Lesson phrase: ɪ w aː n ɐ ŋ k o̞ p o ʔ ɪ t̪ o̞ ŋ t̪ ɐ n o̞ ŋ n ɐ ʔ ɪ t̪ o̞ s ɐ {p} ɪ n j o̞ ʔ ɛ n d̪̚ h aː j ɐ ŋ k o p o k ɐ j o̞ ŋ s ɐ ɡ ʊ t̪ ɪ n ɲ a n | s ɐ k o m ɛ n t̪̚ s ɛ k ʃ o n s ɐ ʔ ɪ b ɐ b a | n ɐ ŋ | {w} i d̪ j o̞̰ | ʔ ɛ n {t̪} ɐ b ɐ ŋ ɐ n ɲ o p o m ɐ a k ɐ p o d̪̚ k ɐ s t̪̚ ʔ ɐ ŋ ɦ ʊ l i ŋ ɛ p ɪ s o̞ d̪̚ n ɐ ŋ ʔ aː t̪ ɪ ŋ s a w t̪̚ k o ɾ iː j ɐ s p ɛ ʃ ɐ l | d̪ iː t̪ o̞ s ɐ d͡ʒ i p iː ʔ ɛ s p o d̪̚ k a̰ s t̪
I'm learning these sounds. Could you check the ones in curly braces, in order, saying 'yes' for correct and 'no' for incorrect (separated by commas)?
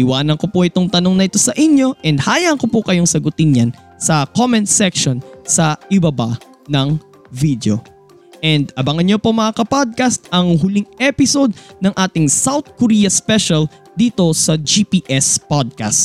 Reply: no, no, no